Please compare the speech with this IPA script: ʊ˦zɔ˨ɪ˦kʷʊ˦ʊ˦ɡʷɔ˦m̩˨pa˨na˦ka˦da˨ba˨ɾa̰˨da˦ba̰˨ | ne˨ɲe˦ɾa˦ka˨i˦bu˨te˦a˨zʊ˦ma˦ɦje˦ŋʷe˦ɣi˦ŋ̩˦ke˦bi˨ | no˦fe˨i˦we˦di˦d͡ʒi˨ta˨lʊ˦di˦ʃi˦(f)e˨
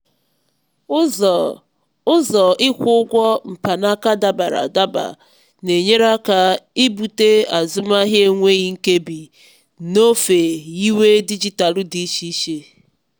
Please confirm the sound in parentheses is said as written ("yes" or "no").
no